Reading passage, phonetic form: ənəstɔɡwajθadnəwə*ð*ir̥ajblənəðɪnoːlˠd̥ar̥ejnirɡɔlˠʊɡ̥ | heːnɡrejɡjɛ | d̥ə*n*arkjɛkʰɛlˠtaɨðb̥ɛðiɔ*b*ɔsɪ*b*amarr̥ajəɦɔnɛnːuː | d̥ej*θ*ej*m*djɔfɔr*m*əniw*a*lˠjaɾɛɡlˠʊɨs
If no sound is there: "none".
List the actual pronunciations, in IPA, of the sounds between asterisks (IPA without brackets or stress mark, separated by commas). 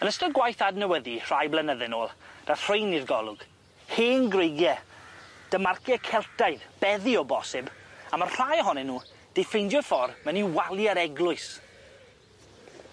ð, m, b, b, f, n, m, a